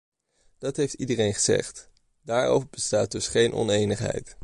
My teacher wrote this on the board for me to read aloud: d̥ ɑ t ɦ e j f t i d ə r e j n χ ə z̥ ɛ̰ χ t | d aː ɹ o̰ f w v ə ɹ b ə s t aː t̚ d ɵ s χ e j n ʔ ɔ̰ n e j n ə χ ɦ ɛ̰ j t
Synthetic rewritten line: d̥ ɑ t ɦ e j f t i d ə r e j n χ ə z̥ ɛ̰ χ t | d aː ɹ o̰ w v ə ɹ b ə s t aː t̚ d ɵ s χ e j n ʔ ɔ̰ n e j n ə χ ɦ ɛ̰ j t